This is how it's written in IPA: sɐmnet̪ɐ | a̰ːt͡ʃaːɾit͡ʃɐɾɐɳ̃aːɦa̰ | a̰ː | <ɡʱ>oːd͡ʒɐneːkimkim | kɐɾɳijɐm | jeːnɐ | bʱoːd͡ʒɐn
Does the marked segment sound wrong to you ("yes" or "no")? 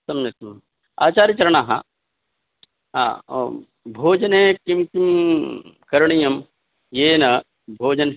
yes